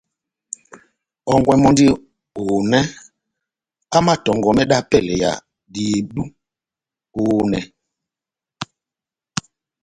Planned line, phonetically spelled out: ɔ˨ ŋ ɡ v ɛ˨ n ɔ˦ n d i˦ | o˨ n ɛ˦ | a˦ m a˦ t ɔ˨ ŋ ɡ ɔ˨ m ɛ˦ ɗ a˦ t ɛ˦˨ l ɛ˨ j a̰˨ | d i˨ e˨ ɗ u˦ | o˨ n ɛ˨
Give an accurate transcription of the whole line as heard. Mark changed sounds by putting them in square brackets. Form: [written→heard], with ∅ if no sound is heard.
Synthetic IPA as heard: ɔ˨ ŋ ɡ [v→w] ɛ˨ [n→m] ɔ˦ n d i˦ | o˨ n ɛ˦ | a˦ m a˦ t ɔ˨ ŋ ɡ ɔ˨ m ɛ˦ ɗ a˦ [t→p] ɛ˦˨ l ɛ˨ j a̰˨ | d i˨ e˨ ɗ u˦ | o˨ n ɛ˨